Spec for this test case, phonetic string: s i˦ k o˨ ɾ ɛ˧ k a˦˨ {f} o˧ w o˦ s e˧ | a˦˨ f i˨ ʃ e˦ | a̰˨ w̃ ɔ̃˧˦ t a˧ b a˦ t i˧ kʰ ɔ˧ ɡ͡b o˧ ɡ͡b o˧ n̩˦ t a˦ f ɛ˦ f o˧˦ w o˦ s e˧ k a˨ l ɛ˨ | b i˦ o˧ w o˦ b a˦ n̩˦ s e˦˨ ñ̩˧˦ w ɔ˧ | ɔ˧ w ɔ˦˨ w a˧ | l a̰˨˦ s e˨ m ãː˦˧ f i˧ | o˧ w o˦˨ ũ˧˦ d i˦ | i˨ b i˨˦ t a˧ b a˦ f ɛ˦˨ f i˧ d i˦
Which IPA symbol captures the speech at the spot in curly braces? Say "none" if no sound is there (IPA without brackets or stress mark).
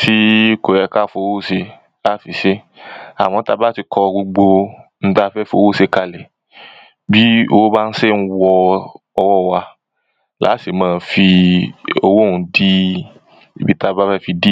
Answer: f